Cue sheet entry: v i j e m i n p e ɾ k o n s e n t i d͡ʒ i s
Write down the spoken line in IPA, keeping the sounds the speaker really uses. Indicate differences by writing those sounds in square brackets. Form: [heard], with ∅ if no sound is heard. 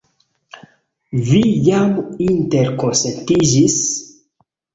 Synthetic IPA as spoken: v i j [a] m i n [t] e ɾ k o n s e n t i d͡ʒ i s